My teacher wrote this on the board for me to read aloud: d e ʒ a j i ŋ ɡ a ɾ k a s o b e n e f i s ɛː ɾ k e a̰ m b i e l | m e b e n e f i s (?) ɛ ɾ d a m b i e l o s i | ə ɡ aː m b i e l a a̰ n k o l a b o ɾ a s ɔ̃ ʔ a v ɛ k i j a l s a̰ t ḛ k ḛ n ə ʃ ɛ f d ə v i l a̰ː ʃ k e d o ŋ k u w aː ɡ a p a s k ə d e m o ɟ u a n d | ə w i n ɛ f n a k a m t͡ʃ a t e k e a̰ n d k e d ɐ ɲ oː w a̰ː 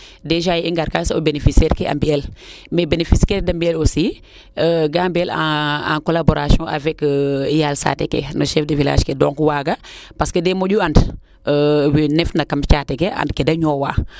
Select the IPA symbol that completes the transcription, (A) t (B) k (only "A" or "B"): B